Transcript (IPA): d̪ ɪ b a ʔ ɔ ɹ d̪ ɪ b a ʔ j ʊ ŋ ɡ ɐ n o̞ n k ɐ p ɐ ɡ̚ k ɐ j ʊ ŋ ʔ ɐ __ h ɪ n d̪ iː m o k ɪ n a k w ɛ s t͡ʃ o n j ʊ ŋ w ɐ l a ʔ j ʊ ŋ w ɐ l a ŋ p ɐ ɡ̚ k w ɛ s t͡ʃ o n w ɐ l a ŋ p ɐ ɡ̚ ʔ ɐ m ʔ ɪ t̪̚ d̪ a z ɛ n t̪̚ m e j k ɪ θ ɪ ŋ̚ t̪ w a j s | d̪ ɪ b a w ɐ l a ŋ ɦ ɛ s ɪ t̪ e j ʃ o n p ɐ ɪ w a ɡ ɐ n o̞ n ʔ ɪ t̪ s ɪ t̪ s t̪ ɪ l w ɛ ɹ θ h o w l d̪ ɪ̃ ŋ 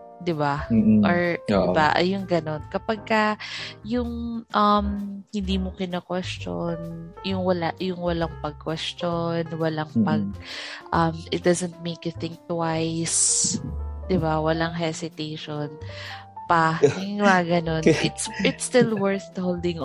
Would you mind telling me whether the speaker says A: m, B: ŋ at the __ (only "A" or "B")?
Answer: A